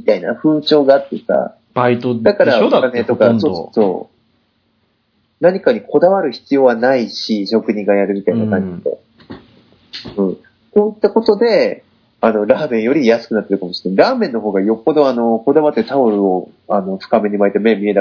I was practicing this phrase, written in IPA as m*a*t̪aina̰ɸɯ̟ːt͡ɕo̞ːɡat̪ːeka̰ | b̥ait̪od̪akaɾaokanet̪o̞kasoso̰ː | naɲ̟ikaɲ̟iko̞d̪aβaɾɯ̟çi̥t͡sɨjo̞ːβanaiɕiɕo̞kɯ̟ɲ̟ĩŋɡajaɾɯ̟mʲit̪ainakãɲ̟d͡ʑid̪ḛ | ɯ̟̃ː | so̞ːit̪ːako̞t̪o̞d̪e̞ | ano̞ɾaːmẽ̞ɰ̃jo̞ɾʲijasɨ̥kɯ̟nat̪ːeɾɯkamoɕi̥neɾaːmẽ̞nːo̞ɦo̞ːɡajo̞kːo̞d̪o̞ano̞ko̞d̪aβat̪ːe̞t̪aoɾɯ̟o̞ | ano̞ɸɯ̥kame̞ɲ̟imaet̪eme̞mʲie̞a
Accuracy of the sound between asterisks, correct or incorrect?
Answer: incorrect